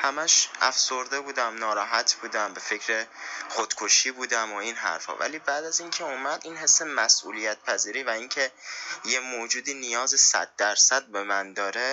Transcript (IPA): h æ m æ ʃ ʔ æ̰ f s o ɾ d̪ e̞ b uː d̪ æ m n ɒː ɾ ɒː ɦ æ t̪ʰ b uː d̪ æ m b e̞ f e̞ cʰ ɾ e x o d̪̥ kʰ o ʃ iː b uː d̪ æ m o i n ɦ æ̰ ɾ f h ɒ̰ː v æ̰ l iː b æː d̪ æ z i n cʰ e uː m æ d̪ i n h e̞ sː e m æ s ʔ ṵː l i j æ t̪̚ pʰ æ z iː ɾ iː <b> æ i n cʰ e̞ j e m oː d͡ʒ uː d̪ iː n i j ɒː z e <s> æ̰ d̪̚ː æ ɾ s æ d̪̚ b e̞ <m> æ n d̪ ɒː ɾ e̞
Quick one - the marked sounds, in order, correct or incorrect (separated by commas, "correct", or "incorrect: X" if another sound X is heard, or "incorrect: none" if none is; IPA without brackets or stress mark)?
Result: incorrect: v, correct, correct